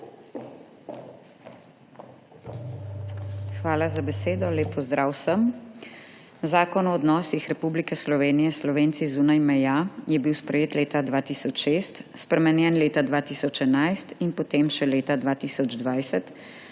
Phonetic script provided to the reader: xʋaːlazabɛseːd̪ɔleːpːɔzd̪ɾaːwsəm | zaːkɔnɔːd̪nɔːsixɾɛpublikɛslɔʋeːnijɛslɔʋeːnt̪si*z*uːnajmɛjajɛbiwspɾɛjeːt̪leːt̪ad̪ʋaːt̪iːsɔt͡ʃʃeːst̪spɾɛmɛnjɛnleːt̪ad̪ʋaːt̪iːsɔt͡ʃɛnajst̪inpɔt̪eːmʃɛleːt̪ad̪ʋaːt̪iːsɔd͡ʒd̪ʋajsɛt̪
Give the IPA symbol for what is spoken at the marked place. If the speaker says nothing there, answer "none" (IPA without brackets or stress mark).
z